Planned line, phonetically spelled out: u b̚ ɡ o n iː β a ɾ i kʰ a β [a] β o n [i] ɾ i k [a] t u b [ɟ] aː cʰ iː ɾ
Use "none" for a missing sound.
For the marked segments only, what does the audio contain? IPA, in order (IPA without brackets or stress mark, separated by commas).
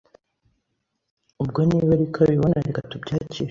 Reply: i, a, a, ɟ